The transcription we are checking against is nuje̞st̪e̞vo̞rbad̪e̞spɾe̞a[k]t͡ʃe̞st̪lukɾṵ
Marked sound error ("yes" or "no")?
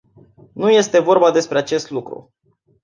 yes